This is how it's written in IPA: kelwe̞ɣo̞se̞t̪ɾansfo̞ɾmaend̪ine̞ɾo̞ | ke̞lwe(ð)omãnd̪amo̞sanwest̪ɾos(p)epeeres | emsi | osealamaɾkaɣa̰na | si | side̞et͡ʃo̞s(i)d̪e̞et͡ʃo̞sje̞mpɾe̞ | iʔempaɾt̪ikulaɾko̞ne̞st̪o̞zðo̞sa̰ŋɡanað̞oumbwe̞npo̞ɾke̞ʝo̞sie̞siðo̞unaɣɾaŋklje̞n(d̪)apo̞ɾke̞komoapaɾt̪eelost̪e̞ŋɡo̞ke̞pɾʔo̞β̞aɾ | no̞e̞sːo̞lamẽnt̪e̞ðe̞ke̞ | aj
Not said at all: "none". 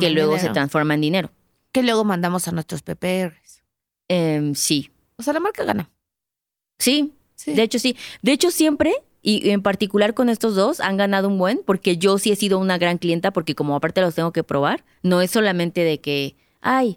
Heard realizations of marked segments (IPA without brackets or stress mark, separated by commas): ɣ, p, i, t̪